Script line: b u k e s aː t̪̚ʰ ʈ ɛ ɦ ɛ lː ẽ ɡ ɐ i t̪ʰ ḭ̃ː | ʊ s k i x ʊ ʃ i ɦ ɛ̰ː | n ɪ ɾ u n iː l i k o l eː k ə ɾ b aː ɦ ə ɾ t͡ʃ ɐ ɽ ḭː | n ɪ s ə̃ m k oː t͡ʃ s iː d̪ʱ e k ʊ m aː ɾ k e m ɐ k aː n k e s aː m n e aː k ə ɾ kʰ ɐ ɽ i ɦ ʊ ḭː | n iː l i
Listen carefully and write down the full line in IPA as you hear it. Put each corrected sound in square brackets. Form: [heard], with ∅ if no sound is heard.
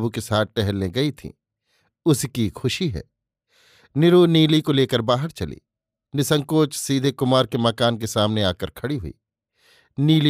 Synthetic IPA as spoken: b u k e s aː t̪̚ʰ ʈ ɛ ɦ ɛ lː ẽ ɡ ɐ i t̪ʰ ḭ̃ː | ʊ s k i x ʊ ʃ i ɦ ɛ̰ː | n ɪ ɾ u n iː l i k o l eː k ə ɾ b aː ɦ ə ɾ t͡ʃ ɐ [l] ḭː | n ɪ s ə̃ [ŋ] k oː t͡ʃ s iː d̪ʱ e k ʊ m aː ɾ k e m ɐ k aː n k e s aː m n e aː k ə ɾ kʰ ɐ ɽ i ɦ ʊ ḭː | n iː l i